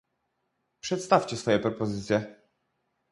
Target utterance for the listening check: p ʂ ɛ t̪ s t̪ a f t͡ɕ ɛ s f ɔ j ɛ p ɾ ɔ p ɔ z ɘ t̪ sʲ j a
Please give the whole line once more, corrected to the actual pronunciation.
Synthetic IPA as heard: p ʂ ɛ t̪ s t̪ a f t͡ɕ ɛ s f ɔ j ɛ p ɾ ɔ p ɔ z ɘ t̪ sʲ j ɛ